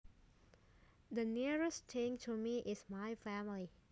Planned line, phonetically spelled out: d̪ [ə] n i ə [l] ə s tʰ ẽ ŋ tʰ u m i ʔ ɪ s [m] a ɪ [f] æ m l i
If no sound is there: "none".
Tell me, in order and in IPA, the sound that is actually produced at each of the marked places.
ə, ɹ, m, f

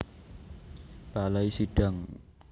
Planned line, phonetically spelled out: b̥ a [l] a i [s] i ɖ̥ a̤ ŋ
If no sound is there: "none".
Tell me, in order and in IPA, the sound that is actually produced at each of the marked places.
l, s

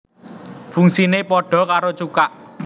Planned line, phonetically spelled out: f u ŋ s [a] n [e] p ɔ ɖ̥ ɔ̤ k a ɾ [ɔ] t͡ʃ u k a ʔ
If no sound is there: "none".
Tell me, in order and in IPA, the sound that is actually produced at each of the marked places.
i, e, o

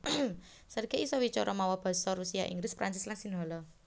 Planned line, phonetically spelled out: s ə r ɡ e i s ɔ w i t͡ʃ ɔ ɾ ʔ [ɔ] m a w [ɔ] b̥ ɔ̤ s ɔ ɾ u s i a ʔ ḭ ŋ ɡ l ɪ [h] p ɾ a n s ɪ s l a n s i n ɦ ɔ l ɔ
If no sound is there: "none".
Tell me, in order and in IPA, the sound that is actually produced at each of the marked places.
ɔ, ɔ, s

